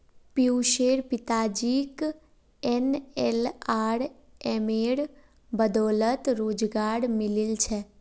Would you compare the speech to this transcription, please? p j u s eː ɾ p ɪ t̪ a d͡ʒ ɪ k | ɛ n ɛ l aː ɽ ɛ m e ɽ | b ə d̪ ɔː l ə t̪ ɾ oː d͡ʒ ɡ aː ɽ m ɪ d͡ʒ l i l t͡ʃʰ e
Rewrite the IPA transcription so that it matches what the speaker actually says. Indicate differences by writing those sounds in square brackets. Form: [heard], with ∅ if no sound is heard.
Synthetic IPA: p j u [ʃ] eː ɾ p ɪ t̪ a d͡ʒ [i] k | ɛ n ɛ l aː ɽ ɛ m e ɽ | b ə d̪ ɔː l ə t̪ ɾ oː d͡ʒ ɡ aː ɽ m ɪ [∅] l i l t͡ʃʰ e